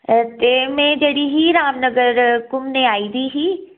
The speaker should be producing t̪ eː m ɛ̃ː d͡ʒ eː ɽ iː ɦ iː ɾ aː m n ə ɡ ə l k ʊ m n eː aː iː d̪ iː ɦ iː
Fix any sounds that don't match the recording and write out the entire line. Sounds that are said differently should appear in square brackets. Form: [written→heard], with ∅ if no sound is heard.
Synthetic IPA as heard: t̪ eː m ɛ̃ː d͡ʒ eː ɽ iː ɦ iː ɾ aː m n ə ɡ ə [l→ɾ] k ʊ m n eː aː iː d̪ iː ɦ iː